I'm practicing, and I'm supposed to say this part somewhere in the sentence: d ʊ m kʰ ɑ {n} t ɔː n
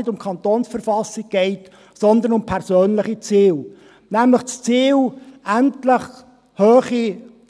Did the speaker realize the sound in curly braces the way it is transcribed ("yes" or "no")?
yes